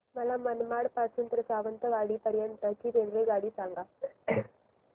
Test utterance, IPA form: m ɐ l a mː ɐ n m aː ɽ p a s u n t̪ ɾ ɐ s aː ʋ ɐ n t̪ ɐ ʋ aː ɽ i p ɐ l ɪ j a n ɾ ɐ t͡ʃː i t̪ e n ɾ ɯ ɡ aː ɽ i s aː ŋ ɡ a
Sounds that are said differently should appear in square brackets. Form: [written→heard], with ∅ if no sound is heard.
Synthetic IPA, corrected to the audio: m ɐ l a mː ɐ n m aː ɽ p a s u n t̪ ɾ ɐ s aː ʋ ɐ n t̪ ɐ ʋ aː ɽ i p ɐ [l→ɾ] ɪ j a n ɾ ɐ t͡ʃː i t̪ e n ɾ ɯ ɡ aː ɽ i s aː ŋ ɡ a